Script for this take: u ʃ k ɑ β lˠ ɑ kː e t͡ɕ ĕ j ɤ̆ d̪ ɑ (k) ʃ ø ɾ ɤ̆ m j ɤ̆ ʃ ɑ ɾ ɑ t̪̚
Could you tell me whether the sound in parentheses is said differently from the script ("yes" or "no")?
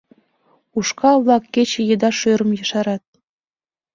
yes